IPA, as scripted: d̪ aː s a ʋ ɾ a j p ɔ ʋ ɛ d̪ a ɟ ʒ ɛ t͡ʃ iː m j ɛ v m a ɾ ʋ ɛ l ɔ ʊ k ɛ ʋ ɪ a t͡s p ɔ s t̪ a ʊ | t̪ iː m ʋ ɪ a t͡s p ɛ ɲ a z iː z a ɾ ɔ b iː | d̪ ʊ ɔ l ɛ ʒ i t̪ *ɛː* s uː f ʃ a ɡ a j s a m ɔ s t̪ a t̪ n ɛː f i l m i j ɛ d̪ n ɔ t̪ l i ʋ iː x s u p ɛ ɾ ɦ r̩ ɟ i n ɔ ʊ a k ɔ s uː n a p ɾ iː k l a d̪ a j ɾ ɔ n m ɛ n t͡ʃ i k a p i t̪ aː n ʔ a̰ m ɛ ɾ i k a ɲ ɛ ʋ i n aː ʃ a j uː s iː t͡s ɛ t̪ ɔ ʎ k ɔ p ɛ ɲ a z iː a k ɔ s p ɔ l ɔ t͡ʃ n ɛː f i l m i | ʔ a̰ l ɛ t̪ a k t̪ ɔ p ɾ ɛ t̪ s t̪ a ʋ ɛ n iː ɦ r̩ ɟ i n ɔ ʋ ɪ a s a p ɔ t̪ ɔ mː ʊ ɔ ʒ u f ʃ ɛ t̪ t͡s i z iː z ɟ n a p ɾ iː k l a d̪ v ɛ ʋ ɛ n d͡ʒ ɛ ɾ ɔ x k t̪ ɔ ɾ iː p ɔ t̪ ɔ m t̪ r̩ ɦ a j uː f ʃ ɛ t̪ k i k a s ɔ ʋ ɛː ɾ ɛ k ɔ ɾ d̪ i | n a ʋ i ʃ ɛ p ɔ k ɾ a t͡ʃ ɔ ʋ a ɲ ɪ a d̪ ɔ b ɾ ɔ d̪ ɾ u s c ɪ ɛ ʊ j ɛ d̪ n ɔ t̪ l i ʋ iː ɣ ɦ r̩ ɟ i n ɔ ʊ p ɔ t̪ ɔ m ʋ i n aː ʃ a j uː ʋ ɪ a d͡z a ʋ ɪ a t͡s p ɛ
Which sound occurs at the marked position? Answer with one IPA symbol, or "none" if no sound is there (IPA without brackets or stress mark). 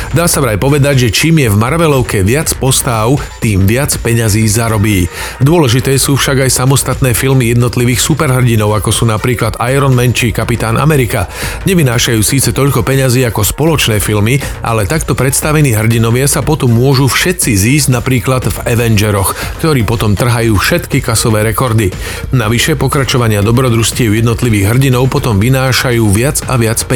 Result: ɛː